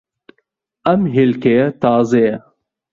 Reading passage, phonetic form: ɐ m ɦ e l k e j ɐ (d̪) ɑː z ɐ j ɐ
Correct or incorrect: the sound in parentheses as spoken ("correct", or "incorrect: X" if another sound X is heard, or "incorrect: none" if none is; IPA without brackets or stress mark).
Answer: incorrect: t̪